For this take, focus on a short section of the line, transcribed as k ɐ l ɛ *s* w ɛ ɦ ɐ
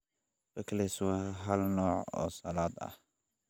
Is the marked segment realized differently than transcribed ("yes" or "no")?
no